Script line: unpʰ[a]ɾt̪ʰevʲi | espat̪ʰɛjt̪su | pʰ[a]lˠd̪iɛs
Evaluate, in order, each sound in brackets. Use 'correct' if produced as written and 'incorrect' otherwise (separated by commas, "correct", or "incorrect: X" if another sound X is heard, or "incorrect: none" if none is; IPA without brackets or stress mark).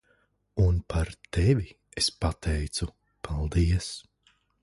correct, correct